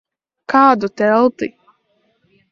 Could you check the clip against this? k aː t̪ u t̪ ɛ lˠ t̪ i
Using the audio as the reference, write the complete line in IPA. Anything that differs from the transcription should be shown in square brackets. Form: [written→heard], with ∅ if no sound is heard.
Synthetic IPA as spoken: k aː [t̪→d̪] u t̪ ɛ lˠ t̪ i